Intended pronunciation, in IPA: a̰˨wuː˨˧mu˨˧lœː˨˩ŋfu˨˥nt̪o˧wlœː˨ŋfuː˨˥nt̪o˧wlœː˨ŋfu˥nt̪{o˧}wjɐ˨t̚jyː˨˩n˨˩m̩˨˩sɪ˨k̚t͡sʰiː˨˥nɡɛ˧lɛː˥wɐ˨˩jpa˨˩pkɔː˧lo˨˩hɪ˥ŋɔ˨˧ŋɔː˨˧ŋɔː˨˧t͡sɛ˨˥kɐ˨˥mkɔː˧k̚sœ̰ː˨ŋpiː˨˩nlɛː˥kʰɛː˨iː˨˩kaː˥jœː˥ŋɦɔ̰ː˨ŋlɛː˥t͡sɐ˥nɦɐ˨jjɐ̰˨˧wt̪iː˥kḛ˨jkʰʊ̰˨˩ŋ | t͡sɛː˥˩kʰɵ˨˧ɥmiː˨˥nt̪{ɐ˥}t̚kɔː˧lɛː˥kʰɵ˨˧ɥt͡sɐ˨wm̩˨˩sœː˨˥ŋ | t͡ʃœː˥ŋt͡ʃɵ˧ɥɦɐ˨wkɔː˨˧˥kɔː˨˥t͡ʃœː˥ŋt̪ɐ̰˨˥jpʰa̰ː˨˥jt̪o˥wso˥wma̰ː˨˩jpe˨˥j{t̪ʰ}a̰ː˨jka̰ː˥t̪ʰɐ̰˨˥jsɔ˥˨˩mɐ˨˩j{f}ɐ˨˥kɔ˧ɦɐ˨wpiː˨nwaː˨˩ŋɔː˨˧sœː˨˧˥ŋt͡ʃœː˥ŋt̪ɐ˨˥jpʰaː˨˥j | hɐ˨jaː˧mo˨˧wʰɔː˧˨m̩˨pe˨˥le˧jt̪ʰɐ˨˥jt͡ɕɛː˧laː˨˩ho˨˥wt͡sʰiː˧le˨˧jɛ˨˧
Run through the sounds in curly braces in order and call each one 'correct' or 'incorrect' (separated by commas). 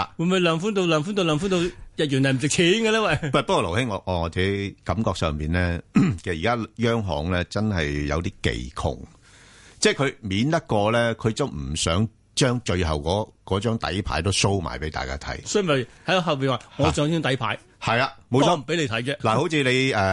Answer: correct, correct, incorrect, incorrect